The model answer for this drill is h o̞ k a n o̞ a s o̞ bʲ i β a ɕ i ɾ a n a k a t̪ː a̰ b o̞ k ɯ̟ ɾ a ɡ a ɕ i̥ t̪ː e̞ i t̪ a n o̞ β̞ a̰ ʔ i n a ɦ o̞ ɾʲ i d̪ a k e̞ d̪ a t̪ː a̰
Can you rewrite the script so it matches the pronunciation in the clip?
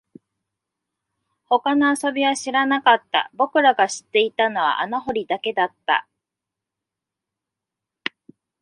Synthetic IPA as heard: h o̞ k a n o̞ a s o̞ bʲ i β a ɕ i ɾ a n a k a t̪ː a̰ b o̞ k ɯ̟ ɾ a ɡ a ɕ i̥ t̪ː e̞ i t̪ a n o̞ β̞ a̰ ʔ a n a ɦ o̞ ɾʲ i d̪ a k e̞ d̪ a t̪ː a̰